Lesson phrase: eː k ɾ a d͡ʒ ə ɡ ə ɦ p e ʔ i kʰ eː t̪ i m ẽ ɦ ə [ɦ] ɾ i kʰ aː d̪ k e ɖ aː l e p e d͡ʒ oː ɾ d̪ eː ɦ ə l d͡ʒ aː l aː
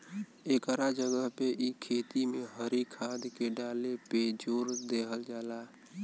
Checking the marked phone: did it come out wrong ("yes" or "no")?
yes